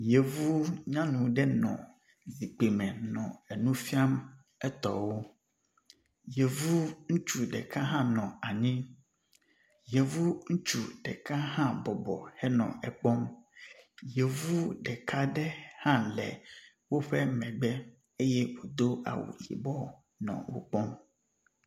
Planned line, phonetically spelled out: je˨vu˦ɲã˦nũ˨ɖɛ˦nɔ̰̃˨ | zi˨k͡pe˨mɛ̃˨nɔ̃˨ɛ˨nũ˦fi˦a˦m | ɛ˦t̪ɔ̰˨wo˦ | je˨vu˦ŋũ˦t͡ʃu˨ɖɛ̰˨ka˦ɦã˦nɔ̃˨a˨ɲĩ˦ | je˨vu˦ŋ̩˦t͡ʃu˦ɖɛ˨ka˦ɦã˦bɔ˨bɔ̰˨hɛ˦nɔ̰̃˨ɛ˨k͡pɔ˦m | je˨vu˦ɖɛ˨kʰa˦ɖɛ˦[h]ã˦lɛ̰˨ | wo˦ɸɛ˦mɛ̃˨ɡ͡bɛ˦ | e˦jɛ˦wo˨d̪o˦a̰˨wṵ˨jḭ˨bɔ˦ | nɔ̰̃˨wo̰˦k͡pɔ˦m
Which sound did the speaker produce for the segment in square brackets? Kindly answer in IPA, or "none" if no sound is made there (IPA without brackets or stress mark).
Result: h